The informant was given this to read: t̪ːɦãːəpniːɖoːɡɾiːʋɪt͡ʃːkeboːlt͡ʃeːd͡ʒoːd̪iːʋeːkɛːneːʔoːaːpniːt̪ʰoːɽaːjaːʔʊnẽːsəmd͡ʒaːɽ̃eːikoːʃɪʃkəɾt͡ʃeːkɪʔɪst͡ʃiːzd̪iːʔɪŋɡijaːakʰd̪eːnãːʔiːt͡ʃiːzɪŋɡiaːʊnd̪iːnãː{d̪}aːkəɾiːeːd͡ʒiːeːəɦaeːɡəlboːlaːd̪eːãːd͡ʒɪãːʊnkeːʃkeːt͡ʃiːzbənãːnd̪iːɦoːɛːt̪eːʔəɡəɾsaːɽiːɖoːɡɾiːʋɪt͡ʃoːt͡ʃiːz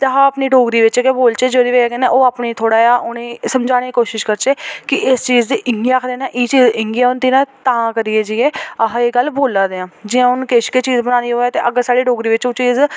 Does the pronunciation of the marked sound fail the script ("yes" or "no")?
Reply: yes